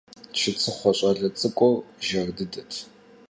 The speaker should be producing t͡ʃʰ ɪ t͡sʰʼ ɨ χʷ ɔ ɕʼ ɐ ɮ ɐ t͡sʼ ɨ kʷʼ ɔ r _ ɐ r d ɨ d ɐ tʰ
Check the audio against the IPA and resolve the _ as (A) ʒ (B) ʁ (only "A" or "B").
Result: A